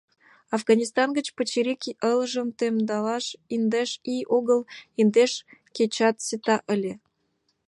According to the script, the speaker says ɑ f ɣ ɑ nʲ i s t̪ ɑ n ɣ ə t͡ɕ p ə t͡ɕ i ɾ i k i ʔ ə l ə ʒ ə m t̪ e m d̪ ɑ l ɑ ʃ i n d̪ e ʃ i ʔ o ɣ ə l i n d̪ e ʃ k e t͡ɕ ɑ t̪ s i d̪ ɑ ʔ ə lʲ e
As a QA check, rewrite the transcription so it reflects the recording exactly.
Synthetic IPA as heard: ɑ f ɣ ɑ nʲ i s t̪ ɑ n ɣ ə t͡ɕ p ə t͡ɕ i ɾ i k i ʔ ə l ə ʒ ə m t̪ e m d̪ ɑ l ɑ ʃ i n d̪ e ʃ i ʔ o ɣ ə l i n d̪ e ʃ k e t͡ɕ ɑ t̪ s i t̪ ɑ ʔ ə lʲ e